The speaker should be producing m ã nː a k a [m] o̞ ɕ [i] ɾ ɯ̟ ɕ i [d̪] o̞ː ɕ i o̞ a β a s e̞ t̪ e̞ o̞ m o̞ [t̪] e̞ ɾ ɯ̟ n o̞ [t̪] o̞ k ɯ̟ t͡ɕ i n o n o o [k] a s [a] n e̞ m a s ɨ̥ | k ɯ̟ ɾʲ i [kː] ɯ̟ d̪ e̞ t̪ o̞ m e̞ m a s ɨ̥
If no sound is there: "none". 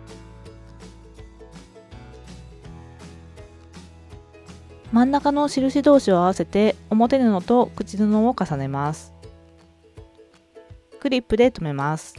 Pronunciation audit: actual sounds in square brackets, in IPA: n, i, d̪, t̪, t̪, k, a, pː

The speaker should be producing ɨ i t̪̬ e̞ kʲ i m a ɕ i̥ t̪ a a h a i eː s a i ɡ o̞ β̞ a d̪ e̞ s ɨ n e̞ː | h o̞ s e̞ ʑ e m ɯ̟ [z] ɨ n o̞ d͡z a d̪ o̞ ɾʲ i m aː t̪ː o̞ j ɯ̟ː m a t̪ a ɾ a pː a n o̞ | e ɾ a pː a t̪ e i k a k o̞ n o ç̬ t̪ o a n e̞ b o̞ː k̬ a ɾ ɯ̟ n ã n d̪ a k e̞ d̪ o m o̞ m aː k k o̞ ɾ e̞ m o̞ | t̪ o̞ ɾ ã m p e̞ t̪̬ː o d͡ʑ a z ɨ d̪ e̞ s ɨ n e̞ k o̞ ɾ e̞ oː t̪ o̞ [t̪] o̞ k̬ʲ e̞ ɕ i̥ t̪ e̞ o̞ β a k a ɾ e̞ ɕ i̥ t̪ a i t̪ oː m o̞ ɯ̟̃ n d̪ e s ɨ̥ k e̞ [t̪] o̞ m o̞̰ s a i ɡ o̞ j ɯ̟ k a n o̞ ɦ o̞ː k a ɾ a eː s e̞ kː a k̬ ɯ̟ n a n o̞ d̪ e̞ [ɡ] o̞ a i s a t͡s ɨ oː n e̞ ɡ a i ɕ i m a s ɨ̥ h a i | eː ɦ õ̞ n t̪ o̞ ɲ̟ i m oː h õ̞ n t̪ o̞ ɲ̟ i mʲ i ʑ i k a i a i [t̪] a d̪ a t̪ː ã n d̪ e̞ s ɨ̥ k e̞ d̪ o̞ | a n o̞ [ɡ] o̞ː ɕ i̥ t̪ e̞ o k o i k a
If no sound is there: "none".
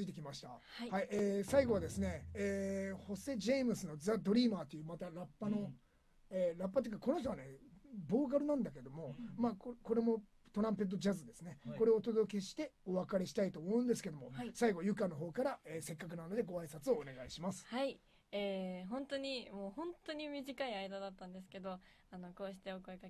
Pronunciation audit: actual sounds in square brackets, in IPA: s, d̪, d̪, ɡ, d̪, k

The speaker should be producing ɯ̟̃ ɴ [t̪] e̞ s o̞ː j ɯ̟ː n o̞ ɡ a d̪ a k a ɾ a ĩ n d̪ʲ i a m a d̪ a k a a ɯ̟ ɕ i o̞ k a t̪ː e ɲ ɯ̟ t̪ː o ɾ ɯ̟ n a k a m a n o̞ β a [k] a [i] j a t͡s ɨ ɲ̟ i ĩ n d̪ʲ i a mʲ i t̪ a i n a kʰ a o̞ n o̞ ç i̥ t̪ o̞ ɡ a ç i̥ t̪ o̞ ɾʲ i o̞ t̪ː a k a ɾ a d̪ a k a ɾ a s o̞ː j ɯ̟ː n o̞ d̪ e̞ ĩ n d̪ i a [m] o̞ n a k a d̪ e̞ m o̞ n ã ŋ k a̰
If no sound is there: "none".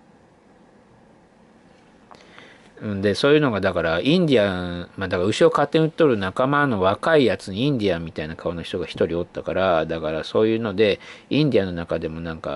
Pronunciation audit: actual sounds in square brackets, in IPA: d̪, k, i, n

